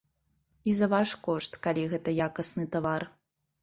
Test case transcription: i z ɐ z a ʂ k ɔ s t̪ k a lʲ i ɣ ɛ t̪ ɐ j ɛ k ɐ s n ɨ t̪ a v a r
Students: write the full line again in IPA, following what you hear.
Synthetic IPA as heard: i z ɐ v a ʂ k ɔ ʂ t̪ k a lʲ i ɣ ɛ t̪ ɐ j a k ɐ s n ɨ t̪ a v a r